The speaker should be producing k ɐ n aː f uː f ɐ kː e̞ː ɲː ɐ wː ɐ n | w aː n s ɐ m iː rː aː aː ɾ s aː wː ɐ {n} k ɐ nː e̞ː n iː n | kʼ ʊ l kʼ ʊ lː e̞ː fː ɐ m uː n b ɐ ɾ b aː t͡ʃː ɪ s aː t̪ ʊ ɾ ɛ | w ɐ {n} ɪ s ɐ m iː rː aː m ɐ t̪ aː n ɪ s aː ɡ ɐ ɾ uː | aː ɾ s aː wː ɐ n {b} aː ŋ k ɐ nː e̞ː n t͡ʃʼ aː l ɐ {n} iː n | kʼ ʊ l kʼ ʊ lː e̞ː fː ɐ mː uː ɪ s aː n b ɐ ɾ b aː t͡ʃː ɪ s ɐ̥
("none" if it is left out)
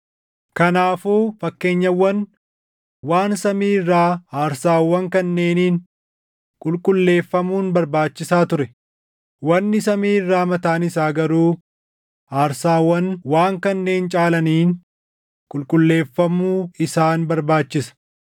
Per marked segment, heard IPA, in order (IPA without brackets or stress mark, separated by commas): ŋ, nː, w, n